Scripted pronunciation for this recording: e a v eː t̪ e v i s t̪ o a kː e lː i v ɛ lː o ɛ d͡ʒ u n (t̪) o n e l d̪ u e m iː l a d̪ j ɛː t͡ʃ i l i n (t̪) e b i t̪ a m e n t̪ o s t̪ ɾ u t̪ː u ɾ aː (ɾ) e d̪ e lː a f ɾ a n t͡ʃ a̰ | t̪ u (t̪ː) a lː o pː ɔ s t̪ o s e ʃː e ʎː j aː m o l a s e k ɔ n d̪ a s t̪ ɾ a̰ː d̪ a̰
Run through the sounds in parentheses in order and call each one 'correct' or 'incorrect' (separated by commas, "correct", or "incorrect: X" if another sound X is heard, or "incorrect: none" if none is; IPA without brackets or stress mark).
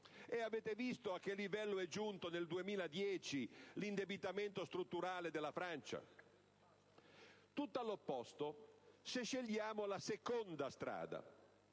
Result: correct, incorrect: d̪, incorrect: l, correct